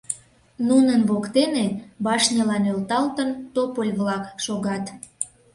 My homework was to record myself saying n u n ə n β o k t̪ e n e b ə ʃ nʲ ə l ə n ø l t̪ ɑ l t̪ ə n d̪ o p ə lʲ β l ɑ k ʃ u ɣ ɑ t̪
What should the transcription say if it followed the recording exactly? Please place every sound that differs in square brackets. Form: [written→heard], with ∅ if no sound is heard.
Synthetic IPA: n u n ə n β o k t̪ e n e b [ə→ɑ] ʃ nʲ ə l [ə→ɑ] n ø l t̪ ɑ l t̪ ə n [d̪→t̪] o p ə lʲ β l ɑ k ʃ [u→o] ɣ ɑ t̪